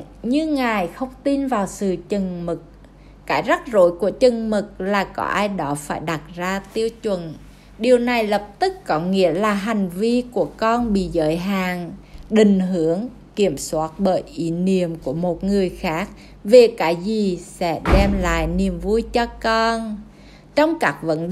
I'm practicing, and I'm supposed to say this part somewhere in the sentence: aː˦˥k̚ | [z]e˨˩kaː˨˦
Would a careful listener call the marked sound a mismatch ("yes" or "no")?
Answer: yes